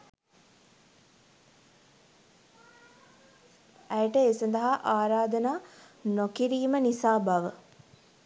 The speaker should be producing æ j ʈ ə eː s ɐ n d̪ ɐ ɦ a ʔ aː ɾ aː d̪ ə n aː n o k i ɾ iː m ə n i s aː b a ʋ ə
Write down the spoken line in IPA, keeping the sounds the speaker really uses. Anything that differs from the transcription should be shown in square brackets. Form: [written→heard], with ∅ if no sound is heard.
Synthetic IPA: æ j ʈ ə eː s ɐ n d̪ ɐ ɦ a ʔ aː ɾ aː d̪ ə n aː n o k i ɾ iː m ə n i s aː b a ʋ ə